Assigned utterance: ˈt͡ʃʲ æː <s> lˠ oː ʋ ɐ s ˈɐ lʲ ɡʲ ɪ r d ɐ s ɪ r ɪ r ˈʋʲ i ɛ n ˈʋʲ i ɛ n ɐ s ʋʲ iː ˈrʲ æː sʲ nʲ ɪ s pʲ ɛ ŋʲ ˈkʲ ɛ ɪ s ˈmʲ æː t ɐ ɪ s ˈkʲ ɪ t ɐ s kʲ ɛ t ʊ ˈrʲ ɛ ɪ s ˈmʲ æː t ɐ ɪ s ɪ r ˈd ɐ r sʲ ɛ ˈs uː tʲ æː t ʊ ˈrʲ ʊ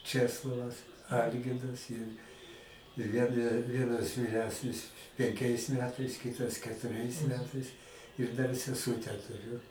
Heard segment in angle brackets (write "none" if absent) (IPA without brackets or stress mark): s